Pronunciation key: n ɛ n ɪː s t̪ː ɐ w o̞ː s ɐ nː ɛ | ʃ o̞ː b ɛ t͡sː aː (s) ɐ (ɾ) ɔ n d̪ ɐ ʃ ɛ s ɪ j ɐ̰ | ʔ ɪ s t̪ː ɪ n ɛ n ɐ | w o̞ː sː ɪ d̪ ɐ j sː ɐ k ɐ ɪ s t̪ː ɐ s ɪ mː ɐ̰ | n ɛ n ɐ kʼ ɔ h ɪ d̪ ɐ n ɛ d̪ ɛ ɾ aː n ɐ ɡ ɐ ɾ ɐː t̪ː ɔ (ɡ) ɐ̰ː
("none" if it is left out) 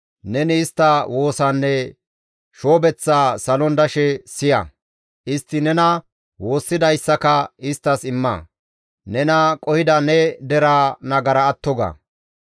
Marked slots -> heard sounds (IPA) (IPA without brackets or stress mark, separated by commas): s, l, ɡ